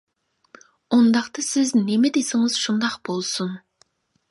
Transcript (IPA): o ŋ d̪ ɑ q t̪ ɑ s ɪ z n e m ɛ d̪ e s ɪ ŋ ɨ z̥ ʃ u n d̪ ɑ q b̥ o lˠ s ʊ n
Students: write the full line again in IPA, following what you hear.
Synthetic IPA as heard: o n d̪ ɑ q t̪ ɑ s ɪ z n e m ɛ d̪ e s ɪ ŋ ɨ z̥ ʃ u n d̪ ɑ q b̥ o lˠ s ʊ n